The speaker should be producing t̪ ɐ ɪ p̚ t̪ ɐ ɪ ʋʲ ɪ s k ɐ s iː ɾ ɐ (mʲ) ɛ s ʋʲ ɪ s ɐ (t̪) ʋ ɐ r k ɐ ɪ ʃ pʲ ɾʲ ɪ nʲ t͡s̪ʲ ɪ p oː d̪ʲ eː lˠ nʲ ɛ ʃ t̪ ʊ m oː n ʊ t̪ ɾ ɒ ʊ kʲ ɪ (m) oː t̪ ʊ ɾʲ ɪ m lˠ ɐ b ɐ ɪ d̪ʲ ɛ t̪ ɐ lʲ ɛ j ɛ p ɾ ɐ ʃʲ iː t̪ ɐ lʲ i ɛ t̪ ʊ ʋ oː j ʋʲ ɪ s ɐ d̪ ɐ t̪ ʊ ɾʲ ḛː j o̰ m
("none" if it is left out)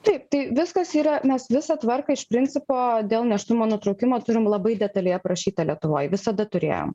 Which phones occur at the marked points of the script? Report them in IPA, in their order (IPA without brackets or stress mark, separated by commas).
mʲ, t̪, m